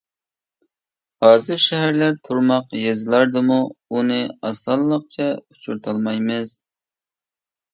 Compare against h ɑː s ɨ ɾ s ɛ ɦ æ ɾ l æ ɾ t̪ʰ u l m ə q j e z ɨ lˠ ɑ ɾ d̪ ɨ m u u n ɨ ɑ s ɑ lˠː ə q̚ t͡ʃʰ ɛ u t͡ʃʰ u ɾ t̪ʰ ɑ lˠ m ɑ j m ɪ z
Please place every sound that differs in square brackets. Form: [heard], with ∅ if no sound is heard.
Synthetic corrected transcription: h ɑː [z] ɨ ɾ [ʃ] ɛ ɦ æ ɾ l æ ɾ t̪ʰ u [ɾ] m [ɑ] q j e z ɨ lˠ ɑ ɾ d̪ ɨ m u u n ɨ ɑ s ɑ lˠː ə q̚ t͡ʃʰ ɛ u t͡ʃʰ u ɾ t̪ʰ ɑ lˠ m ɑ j m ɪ z